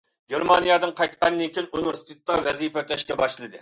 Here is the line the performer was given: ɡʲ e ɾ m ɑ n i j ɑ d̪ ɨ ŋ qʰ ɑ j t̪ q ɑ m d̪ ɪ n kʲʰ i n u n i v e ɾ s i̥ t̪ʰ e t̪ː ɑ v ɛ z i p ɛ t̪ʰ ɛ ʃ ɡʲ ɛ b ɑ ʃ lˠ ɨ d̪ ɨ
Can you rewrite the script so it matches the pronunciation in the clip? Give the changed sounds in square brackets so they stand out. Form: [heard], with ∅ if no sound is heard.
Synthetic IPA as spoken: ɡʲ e ɾ m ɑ n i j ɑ d̪ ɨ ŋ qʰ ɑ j t̪ q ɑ [n] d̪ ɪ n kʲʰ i n u n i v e ɾ s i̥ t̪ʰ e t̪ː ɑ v ɛ z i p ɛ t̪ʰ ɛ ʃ [kʲ] ɛ b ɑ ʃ lˠ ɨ d̪ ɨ

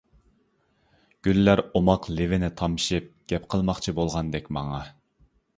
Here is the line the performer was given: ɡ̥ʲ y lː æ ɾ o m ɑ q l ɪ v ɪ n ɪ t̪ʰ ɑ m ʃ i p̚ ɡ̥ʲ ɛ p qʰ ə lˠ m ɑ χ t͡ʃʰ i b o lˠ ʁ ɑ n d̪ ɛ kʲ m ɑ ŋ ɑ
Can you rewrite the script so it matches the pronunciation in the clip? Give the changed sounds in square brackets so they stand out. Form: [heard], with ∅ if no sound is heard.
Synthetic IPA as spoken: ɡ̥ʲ y lː æ ɾ o m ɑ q l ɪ v ɪ n ɪ t̪ʰ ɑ m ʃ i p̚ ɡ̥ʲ ɛ p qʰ ə lˠ m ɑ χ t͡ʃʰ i b o lˠ ʁ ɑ n d̪ ɛ kʲ m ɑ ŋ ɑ

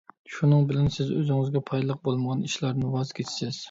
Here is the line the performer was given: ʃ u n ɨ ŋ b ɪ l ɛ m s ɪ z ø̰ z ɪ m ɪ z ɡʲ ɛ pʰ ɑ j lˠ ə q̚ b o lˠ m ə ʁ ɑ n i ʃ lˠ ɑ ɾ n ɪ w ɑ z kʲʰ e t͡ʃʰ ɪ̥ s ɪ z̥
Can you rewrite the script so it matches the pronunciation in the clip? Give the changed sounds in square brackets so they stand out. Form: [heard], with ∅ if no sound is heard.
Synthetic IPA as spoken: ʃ u n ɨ ŋ b ɪ l ɛ [n] s ɪ z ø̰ z ɪ [ŋ] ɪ z ɡʲ ɛ pʰ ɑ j lˠ ə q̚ b o lˠ m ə ʁ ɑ n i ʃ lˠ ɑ ɾ n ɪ w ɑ z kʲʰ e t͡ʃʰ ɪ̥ s ɪ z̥

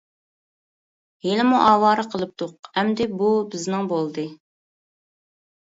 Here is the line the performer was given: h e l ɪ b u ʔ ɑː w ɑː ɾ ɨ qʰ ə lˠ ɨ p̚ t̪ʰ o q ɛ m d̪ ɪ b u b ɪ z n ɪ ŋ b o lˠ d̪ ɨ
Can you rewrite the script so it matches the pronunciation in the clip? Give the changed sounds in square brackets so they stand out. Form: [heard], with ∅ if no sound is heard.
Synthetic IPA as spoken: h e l ɪ [m] u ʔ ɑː w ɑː ɾ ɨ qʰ ə lˠ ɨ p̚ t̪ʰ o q ɛ m d̪ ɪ b u b ɪ z n ɪ ŋ b o lˠ d̪ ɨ

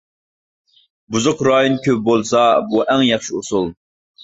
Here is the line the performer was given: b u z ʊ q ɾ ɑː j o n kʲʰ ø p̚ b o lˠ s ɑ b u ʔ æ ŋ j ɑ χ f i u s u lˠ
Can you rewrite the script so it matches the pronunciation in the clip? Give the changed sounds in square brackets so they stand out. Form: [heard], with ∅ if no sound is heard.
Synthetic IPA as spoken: b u z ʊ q ɾ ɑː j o n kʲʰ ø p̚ b o lˠ s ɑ b u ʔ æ ŋ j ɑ χ [ʃ] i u s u lˠ

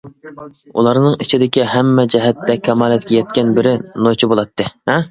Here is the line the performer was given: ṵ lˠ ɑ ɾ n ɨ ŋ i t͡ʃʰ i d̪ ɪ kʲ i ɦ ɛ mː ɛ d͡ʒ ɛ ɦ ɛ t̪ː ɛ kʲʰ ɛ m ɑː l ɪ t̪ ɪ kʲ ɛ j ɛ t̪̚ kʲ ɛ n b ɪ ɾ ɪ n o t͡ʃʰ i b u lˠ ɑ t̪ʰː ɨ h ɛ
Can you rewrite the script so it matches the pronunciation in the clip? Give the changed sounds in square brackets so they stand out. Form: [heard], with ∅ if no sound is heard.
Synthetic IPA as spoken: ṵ lˠ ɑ ɾ n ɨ ŋ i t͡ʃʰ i d̪ ɪ kʲ i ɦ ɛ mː ɛ d͡ʒ ɛ ɦ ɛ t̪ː ɛ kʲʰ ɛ m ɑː l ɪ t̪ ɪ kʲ ɛ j ɛ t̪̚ kʲ ɛ n b ɪ ɾ ɪ n o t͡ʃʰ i b [o] lˠ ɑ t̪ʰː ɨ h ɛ

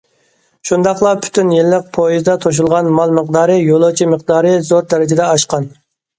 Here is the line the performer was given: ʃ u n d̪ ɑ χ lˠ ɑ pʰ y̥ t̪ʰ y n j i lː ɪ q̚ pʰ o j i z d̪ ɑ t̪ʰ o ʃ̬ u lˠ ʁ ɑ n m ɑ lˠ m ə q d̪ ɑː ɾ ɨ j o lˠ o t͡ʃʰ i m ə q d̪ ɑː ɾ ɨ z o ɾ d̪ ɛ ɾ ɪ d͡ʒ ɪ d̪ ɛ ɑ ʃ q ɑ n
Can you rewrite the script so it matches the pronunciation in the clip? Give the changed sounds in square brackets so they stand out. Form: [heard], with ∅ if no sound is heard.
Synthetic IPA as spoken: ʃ u n d̪ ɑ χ lˠ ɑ pʰ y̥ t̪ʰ y n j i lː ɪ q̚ pʰ o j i z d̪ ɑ t̪ʰ o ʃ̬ u lˠ ʁ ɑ n m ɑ lˠ m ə q d̪ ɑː ɾ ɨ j o lˠ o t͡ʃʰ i m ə q d̪ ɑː ɾ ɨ z o ɾ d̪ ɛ ɾ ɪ d͡ʒ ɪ d̪ ɛ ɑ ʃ q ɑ n

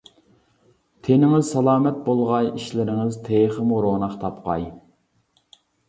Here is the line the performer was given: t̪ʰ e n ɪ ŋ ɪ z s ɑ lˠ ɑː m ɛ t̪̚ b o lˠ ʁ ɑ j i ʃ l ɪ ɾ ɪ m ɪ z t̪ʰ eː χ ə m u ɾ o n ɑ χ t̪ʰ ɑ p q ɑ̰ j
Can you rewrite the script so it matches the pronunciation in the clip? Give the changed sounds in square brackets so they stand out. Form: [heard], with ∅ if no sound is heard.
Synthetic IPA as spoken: t̪ʰ e n ɪ ŋ ɪ z s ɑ lˠ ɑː m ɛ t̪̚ b o lˠ ʁ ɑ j i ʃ l ɪ ɾ ɪ [ŋ] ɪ z t̪ʰ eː χ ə m u ɾ o n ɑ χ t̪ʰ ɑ p q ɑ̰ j

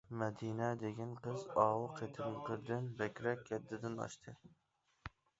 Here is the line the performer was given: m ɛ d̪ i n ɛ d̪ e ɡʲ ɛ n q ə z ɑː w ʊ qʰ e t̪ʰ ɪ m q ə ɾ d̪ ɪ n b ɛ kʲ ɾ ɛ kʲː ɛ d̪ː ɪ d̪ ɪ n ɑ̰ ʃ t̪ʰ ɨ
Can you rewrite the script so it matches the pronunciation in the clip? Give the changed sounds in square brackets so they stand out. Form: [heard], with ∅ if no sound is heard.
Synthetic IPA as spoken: m ɛ d̪ i n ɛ d̪ e ɡʲ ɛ n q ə z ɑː w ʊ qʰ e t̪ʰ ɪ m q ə ɾ d̪ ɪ n b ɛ kʲ ɾ ɛ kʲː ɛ d̪ː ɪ d̪ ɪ n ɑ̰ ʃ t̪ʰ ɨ

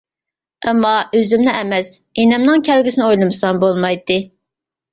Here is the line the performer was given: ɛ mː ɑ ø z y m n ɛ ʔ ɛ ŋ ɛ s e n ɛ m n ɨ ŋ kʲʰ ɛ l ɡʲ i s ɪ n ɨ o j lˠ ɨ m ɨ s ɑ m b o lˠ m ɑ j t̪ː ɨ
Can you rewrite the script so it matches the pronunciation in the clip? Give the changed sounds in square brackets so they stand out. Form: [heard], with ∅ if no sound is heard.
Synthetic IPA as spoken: ɛ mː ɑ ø z y m n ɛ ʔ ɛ [m] ɛ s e n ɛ m n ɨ ŋ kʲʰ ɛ l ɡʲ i s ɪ n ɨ o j lˠ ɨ m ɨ s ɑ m b o lˠ m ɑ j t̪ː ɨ

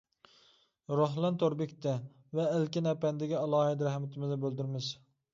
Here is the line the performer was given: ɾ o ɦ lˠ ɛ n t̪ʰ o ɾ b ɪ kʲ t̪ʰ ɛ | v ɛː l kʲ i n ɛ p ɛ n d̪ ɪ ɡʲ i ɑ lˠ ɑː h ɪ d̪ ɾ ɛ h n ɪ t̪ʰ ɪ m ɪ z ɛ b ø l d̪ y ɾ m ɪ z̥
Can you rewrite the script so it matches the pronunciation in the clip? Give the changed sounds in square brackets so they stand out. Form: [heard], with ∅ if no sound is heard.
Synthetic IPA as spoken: ɾ o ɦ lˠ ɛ n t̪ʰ o ɾ b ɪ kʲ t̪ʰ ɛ | v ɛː l kʲ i n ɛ p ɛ n d̪ ɪ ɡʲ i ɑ lˠ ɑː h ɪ d̪ ɾ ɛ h [m] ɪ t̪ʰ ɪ m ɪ z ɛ b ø l d̪ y ɾ m ɪ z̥

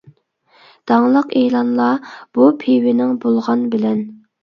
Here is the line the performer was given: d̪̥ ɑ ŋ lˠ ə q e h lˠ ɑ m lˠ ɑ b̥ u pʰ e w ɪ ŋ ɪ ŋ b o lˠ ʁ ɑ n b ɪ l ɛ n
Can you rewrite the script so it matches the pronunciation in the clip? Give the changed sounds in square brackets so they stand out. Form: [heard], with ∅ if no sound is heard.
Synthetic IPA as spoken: d̪̥ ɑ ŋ lˠ ə q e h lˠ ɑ [n] lˠ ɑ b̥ u pʰ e w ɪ [n] ɪ ŋ b o lˠ ʁ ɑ n b ɪ l ɛ n

